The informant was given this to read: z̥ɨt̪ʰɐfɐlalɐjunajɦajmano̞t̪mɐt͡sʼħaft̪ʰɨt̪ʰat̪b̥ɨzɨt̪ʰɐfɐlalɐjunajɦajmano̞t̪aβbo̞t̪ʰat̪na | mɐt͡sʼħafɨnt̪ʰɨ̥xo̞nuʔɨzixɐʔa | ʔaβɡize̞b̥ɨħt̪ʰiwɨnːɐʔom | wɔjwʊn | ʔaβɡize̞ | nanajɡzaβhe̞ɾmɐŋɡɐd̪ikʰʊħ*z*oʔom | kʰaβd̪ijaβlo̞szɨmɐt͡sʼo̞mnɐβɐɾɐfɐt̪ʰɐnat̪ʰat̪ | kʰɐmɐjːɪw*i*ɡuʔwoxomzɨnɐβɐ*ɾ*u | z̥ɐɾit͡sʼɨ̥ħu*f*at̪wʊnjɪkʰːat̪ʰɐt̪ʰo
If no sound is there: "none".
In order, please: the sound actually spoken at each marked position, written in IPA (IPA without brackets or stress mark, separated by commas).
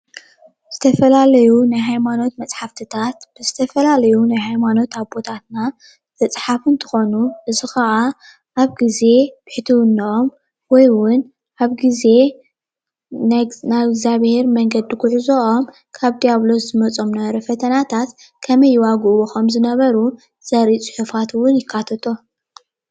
z, a, ɾ, f